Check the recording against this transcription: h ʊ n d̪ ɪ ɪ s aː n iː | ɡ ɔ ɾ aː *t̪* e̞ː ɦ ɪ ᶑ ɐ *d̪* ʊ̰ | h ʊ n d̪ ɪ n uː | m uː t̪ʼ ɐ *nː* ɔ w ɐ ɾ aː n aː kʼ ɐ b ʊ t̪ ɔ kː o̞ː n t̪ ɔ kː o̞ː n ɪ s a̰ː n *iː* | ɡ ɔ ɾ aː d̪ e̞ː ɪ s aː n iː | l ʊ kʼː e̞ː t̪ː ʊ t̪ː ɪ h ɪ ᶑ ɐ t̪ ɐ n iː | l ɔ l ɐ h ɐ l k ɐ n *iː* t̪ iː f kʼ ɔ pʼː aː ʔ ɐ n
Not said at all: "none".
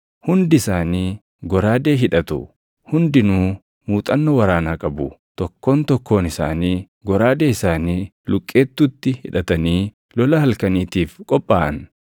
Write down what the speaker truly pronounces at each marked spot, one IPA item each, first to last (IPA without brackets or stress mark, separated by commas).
d̪, t̪, nː, iː, iː